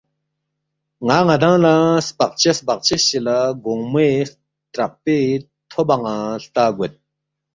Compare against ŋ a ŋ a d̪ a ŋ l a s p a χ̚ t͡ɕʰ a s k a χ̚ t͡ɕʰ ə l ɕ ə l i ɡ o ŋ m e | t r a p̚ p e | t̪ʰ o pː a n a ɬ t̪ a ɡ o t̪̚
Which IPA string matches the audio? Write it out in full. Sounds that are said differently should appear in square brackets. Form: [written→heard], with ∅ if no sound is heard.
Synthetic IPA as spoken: ŋ a ŋ a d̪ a ŋ l a s p a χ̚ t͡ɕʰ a s [k→p] a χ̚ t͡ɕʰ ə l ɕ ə l [i→a] ɡ o ŋ m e | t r a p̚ p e | t̪ʰ o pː a [n→ŋ] a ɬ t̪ a ɡ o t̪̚